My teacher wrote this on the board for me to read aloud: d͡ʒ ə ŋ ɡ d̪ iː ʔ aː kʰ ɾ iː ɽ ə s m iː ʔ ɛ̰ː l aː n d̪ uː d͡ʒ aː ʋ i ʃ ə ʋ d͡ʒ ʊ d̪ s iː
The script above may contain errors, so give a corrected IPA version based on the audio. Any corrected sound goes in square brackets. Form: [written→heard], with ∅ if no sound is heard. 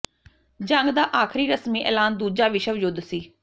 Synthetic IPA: d͡ʒ ə ŋ ɡ d̪ [iː→aː] ʔ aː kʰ ɾ iː [ɽ→ɾ] ə s m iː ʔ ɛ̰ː l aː n d̪ uː d͡ʒ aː ʋ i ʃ ə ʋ d͡ʒ ʊ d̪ s iː

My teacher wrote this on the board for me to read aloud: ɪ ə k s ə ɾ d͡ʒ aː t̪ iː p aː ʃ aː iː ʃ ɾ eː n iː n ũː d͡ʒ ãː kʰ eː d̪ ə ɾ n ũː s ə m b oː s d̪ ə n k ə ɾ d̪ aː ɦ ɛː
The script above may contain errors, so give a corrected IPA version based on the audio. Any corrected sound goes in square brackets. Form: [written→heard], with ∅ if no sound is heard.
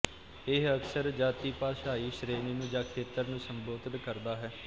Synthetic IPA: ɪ ə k s ə ɾ d͡ʒ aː t̪ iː p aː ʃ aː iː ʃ ɾ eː n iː n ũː d͡ʒ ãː kʰ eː [d̪→t̪] ə ɾ n ũː s ə m b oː [s→∅] d̪ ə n k ə ɾ d̪ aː ɦ ɛː

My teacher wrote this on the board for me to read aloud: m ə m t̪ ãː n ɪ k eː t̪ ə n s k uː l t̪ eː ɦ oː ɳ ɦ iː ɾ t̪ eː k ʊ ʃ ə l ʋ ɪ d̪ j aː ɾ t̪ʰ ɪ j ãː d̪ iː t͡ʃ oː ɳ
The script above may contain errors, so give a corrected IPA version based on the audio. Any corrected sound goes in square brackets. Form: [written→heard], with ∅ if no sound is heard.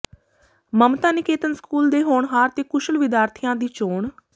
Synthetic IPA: m ə m t̪ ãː n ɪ k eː t̪ ə n s k uː l [t̪→d̪] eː ɦ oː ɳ ɦ [iː→aː] ɾ t̪ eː k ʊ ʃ ə l ʋ ɪ d̪ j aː ɾ t̪ʰ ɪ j ãː d̪ iː t͡ʃ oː ɳ

